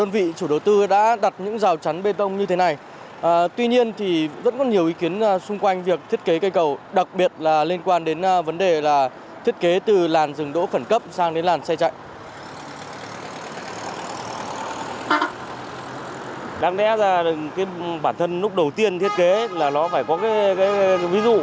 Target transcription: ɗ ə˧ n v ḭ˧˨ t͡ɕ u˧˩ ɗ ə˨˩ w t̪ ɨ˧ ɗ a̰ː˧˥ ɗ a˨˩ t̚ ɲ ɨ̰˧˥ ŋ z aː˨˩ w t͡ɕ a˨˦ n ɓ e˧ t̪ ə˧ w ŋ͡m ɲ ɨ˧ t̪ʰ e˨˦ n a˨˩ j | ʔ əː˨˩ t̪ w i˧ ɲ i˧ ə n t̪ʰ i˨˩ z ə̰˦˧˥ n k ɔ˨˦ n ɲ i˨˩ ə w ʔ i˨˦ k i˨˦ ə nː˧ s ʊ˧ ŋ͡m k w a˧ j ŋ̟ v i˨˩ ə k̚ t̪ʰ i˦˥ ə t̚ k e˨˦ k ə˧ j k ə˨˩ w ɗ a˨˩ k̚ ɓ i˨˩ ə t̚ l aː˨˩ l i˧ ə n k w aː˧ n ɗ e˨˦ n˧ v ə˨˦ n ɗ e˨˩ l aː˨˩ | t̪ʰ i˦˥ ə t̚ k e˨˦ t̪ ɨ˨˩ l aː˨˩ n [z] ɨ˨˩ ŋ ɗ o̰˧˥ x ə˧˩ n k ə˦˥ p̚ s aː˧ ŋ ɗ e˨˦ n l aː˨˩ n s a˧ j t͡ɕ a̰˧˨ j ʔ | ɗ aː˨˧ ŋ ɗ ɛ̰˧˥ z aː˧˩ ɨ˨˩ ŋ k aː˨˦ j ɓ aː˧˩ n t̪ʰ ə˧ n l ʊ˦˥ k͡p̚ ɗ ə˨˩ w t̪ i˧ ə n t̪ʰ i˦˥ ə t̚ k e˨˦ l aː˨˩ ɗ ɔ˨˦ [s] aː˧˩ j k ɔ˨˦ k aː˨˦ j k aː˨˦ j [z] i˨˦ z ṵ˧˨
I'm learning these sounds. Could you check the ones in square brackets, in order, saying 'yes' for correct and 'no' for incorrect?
yes, no, no

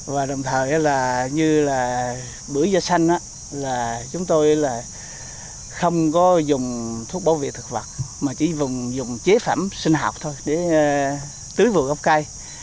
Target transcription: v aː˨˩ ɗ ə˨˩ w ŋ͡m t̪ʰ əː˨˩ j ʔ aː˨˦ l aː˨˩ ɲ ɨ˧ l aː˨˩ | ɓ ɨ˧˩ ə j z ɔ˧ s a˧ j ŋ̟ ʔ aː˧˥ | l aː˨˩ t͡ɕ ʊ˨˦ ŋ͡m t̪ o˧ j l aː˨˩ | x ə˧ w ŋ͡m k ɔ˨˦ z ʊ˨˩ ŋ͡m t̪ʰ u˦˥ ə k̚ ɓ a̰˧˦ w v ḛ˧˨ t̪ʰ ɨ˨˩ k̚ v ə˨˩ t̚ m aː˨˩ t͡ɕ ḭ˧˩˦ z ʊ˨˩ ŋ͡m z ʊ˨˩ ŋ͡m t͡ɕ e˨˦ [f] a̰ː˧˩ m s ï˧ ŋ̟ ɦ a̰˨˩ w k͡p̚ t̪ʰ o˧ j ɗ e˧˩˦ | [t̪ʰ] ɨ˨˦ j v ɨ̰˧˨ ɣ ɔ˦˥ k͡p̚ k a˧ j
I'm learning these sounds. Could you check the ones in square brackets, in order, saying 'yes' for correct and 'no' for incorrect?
yes, no

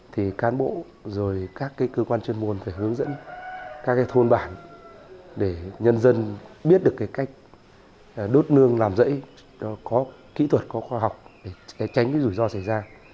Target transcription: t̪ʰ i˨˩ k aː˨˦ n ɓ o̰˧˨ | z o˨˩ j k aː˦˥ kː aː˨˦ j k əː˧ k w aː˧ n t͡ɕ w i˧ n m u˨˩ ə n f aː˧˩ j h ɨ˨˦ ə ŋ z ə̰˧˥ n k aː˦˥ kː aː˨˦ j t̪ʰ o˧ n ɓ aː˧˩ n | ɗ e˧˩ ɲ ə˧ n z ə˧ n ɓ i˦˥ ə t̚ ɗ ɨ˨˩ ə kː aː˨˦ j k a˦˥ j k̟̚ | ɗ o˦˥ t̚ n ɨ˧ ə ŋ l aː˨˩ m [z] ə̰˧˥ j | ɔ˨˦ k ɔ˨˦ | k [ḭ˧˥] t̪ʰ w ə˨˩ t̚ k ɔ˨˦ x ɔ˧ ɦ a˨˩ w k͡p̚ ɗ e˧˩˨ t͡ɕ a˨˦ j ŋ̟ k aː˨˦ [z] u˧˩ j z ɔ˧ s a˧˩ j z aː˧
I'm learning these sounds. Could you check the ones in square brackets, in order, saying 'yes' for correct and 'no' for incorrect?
yes, yes, yes

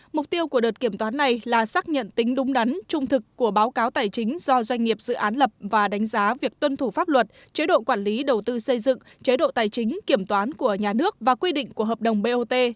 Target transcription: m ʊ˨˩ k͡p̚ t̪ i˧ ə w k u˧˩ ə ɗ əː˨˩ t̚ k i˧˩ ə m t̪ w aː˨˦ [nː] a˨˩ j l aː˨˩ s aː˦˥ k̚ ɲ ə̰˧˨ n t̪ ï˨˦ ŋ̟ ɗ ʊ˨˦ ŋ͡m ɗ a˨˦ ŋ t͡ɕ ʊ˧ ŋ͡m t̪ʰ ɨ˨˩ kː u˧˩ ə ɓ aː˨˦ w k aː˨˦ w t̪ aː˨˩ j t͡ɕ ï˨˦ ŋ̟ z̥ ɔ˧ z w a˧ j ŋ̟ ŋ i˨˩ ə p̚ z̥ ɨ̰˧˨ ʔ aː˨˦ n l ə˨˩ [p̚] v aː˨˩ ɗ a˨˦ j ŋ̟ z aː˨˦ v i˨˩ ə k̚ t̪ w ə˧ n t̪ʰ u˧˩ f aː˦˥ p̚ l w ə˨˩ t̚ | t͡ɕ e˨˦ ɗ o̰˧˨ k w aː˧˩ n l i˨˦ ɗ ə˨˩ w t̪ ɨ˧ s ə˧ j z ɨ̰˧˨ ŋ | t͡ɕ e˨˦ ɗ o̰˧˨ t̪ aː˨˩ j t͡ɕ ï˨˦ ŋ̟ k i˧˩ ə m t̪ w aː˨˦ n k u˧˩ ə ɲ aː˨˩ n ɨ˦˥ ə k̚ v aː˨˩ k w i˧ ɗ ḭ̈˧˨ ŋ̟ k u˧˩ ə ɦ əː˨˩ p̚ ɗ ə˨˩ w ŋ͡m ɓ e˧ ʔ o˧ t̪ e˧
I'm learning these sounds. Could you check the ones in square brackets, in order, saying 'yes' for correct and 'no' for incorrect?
yes, yes

